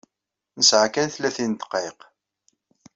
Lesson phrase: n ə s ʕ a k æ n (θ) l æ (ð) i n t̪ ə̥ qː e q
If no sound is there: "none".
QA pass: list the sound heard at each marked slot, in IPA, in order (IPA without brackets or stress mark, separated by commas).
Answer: θ, θ